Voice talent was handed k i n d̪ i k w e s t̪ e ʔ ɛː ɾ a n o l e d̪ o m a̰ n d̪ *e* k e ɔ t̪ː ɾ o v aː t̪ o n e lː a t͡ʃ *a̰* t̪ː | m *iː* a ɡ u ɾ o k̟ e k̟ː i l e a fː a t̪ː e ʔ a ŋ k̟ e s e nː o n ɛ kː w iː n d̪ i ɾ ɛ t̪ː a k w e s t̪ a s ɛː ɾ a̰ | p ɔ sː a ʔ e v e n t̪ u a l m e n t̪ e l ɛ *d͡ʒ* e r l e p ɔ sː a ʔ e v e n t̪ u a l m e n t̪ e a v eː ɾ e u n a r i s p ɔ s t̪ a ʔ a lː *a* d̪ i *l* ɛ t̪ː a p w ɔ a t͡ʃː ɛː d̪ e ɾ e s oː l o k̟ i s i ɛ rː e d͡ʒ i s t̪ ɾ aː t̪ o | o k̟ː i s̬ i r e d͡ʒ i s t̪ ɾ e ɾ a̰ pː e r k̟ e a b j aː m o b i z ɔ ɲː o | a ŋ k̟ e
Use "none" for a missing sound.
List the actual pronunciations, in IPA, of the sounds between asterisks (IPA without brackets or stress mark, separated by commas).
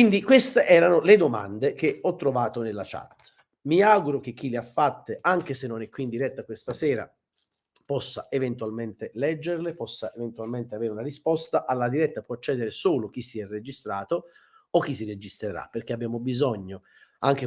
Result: e, a̰, i, d͡ʒː, a, ɾ